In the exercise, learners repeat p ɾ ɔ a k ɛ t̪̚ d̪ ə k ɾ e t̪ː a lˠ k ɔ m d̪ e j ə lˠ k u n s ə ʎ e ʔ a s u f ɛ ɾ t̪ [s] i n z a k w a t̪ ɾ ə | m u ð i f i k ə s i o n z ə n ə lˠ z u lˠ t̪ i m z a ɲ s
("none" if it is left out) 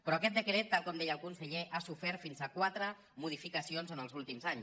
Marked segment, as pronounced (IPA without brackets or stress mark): f